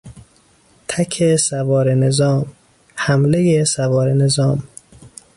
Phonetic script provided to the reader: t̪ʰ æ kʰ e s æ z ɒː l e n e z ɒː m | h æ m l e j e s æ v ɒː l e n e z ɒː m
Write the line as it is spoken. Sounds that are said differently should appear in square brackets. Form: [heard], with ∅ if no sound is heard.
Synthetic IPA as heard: t̪ʰ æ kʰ e s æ [v] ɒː [ɾ] e n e z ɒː m | h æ m l e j e s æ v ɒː [ɾ] e n e z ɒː m